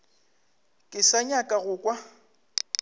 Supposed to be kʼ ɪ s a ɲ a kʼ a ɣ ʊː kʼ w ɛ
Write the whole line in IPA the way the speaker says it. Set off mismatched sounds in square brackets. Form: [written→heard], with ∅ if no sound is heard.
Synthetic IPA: kʼ ɪ s a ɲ a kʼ a ɣ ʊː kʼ w [ɛ→a]